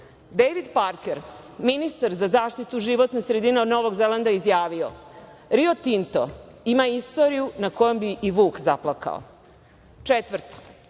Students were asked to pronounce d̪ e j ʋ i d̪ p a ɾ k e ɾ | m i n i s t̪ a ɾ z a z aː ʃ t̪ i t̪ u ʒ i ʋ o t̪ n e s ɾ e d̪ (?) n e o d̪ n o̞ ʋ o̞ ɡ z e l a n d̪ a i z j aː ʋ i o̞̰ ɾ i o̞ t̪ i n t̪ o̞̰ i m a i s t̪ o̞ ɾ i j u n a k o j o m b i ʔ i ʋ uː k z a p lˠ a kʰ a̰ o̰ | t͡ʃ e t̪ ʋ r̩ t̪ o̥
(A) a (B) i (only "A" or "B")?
B